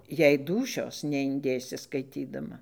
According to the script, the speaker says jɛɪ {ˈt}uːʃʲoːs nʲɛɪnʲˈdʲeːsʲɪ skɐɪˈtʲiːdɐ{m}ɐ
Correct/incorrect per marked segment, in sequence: incorrect: d, correct

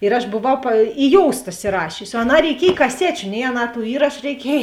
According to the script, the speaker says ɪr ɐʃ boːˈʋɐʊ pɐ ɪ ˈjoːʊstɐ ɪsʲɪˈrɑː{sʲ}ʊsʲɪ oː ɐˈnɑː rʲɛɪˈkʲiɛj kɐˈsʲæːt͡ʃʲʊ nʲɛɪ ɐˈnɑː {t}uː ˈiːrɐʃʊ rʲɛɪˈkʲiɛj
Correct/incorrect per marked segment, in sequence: incorrect: ʃʲ, correct

